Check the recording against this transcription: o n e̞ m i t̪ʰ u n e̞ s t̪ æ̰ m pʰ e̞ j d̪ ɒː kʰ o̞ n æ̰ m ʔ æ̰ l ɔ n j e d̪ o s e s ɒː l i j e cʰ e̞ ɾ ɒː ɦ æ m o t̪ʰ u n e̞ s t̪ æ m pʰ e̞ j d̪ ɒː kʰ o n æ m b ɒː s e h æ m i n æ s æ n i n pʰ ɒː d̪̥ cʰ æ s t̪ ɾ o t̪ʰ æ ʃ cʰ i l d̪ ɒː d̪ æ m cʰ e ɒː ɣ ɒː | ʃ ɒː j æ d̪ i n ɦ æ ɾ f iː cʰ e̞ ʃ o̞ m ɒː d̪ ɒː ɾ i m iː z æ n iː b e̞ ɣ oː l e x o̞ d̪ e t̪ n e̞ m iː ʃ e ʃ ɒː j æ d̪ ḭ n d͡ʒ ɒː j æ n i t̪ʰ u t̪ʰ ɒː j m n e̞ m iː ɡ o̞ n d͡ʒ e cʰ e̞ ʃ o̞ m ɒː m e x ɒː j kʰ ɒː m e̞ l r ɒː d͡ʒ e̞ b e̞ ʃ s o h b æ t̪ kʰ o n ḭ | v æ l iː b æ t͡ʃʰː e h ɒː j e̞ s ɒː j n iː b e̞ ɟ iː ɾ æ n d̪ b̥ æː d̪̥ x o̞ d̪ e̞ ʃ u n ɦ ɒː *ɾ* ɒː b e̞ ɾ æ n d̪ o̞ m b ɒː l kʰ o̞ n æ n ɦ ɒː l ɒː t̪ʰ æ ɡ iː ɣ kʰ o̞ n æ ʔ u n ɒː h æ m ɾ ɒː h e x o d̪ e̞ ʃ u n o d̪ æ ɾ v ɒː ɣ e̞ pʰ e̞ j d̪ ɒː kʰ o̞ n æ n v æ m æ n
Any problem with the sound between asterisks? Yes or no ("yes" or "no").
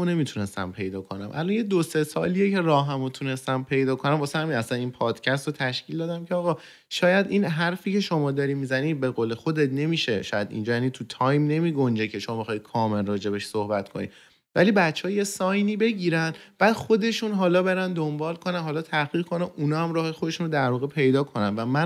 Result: yes